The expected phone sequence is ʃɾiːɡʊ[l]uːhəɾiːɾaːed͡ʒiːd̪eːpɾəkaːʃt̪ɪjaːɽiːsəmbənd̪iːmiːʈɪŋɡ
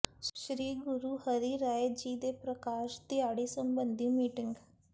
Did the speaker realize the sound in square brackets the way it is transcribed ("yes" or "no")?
no